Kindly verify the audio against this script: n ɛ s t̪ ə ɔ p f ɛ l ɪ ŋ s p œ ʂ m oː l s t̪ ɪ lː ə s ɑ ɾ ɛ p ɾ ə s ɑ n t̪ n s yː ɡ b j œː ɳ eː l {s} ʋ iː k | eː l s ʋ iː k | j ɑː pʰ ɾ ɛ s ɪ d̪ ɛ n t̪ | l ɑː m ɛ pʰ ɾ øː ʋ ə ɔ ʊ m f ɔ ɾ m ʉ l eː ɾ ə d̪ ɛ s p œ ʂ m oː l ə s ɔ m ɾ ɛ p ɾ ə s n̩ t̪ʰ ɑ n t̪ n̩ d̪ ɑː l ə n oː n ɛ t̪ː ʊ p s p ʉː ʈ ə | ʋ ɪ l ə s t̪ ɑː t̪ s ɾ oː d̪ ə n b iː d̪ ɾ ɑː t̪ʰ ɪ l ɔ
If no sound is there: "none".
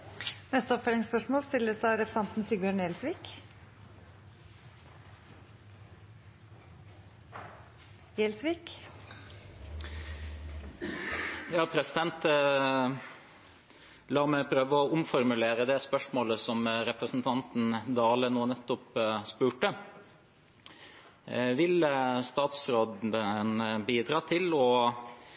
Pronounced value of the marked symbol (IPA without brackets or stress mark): s